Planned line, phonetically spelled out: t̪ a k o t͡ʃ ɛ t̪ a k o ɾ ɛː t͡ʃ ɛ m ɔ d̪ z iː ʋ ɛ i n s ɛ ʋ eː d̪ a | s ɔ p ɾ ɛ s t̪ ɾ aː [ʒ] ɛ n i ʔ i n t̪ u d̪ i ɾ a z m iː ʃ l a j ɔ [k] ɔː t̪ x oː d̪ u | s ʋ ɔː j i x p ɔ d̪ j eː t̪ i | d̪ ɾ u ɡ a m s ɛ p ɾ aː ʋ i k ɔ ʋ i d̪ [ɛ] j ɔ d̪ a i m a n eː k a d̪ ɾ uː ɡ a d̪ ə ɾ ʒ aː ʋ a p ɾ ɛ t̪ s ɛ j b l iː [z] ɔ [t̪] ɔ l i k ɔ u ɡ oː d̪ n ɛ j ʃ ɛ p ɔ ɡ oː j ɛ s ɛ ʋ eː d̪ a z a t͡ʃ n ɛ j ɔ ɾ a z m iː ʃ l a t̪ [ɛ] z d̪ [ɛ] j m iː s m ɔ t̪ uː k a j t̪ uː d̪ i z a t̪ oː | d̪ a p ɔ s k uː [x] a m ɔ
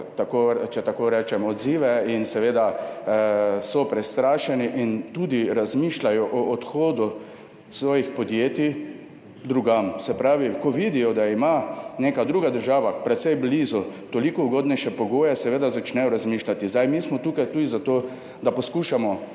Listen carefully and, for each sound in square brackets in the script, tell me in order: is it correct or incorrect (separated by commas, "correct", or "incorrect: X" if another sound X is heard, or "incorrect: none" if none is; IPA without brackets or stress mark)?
incorrect: ʃ, incorrect: ʔ, incorrect: i, correct, correct, incorrect: i, incorrect: a, incorrect: ʃ